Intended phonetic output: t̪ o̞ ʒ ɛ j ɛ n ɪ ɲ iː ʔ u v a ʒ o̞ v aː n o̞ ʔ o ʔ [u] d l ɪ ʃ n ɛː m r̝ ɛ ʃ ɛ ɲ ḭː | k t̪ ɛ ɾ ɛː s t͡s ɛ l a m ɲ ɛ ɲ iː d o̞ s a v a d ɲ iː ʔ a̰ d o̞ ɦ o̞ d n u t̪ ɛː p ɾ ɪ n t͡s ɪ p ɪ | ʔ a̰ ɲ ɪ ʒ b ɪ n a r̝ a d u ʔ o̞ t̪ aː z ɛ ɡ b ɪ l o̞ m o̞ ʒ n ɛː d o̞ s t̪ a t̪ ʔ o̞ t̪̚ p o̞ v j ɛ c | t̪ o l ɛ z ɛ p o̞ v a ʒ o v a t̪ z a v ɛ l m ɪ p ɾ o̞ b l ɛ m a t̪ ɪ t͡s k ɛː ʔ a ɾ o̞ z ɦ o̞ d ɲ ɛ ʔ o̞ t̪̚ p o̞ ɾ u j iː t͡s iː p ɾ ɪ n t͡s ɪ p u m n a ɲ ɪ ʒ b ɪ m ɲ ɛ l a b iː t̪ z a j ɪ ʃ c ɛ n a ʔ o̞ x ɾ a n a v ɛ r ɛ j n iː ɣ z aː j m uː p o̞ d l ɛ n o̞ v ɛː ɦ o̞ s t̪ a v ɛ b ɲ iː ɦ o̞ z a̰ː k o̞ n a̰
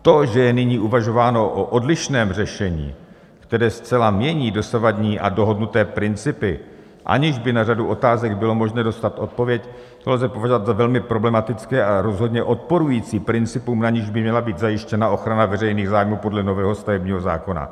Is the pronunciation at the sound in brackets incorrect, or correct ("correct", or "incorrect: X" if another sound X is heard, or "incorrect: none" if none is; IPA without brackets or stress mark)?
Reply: incorrect: o